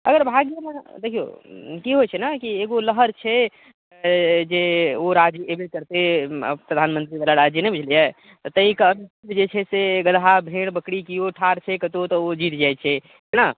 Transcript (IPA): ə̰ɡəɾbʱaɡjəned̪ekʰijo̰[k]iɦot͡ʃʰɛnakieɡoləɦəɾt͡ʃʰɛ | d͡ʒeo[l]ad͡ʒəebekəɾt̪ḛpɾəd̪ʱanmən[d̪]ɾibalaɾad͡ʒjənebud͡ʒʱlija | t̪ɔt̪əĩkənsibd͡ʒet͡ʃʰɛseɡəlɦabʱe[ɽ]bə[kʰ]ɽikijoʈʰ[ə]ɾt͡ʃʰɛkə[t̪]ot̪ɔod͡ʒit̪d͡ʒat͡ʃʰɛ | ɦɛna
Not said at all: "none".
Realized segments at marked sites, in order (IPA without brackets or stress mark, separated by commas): k, ɾ, t̪, ɽ, k, a, t̪